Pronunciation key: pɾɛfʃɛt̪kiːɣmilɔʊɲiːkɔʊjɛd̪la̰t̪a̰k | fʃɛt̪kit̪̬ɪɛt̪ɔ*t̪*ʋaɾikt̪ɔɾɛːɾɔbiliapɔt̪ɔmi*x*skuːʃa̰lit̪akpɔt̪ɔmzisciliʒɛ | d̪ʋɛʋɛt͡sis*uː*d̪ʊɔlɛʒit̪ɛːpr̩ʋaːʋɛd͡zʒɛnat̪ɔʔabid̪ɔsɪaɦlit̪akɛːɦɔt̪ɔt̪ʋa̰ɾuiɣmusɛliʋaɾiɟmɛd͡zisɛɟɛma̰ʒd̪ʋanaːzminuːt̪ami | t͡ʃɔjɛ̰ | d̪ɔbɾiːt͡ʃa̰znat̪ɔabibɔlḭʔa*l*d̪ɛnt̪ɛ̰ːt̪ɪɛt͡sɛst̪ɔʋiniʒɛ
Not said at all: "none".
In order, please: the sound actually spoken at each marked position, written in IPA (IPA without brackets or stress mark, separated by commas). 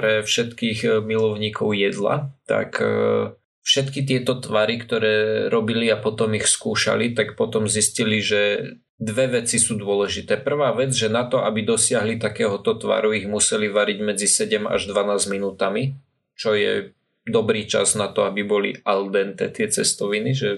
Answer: t̪, x, uː, l